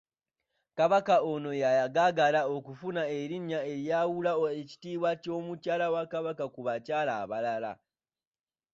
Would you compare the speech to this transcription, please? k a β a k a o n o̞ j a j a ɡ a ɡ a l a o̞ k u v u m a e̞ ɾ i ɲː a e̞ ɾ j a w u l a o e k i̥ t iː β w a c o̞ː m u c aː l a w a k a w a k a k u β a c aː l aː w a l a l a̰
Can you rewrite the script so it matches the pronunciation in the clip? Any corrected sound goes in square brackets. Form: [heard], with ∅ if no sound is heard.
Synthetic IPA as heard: k a β a k a o n o̞ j a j a ɡ a ɡ a l a o̞ k u [f] u [n] a e̞ ɾ i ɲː a e̞ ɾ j a w u l a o e [c] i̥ t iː β w a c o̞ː m u c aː l a w a k a [β] a k a k u β a c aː l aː [β] a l a l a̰